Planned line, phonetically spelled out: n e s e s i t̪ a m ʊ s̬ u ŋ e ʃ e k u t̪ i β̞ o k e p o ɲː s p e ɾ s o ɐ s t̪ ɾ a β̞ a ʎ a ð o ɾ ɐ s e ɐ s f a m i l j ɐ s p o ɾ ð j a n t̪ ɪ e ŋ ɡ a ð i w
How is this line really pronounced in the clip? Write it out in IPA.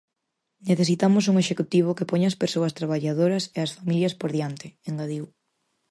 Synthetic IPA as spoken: n e θ e s i t̪ a m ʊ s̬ u ŋ e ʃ e k u t̪ i β̞ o k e p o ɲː s p e ɾ s o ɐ s t̪ ɾ a β̞ a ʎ a ð o ɾ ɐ s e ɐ s f a m i l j ɐ s p o ɾ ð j a n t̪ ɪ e ŋ ɡ a ð i w

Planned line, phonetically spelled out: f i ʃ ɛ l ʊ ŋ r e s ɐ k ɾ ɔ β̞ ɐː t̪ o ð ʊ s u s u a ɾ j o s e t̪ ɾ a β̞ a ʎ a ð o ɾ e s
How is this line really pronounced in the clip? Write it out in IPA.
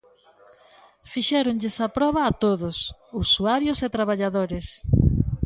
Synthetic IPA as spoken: f i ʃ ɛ ɾ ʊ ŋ ʎ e s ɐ p ɾ ɔ β̞ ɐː t̪ o ð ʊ s u s u a ɾ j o s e t̪ ɾ a β̞ a ʎ a ð o ɾ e s

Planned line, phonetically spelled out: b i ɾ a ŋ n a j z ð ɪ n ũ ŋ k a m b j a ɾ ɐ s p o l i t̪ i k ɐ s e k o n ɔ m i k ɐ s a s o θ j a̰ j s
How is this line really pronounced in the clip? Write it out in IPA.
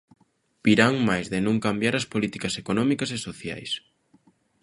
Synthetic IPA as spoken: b i ɾ a ŋ m a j z ð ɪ n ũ ŋ k a m b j a ɾ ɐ s p o l i t̪ i k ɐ s e k o n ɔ m i k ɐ s e s o θ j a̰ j s

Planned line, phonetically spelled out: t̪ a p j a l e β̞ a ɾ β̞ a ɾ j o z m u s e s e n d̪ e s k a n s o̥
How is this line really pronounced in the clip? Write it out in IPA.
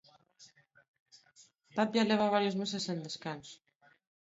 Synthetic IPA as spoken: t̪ a p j a l e β̞ a β̞ a ɾ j o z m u s e s e n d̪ e s k a n s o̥

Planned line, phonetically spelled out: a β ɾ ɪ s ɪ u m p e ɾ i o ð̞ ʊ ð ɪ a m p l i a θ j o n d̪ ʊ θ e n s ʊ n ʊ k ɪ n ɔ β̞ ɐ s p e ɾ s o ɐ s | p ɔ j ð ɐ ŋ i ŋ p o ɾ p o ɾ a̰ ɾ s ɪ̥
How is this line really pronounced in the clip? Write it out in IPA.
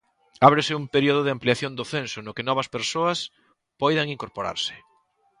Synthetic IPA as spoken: a β ɾ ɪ s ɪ u m p e ɾ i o ð̞ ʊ ð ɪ a m p l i a θ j o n d̪ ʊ θ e n s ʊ n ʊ k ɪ n ɔ β̞ ɐ s p e ɾ s o ɐ s | p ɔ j ð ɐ ŋ i ŋ k o ɾ p o ɾ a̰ ɾ s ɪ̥

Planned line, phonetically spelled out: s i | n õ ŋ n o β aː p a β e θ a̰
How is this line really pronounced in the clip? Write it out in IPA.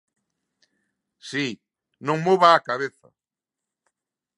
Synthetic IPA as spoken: s i | n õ ŋ m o β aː k a β e θ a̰

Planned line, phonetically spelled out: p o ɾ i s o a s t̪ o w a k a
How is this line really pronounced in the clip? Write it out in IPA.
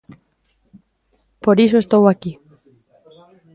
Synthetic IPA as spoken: p o ɾ i s o e s t̪ o w a k i

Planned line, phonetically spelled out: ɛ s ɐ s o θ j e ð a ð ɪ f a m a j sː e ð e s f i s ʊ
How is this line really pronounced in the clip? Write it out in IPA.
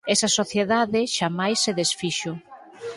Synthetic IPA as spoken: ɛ s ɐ s o θ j e ð a ð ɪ ʃ a m a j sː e ð e s f i ʃ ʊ

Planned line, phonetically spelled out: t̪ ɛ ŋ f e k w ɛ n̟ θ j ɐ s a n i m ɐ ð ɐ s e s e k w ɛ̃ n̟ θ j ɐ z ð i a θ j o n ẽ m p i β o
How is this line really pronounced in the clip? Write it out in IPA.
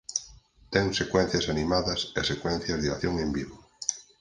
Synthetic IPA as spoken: t̪ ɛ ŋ s e k w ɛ n̟ θ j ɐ s a n i m a ð ɐ s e s e k w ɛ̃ n̟ θ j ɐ z ð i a θ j o ŋ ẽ m b i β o

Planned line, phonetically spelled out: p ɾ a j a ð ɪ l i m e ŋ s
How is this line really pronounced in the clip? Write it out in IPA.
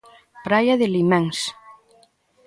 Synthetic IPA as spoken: p ɾ a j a ð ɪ l i m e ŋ s

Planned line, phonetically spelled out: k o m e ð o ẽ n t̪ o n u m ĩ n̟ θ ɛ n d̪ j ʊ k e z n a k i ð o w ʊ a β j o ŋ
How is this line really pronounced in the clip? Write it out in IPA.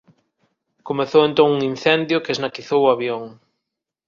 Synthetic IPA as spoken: k o m e θ o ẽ n t̪ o ŋ u ŋ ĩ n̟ θ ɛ n d̪ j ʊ k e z n a k i θ o w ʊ a β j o ŋ

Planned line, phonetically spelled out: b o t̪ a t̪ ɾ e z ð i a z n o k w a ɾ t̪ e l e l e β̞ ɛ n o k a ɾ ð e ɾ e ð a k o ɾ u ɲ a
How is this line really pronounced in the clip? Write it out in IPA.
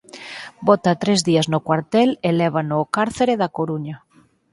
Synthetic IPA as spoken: b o t̪ a t̪ ɾ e z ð i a z n o k w a ɾ t̪ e l e l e β̞ a n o k a ɾ θ e ɾ e ð a k o ɾ u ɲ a

